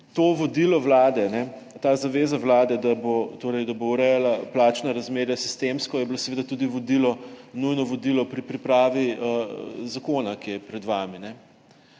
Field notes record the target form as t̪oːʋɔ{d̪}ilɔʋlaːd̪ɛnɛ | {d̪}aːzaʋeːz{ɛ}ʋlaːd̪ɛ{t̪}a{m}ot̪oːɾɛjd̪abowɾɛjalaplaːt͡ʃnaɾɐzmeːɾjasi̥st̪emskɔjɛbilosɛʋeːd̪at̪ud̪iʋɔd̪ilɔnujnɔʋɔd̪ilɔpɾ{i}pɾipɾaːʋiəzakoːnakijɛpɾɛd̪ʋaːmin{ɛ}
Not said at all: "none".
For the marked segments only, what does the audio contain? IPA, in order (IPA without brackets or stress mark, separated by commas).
d̪, t̪, a, d̪, b, i, ɛ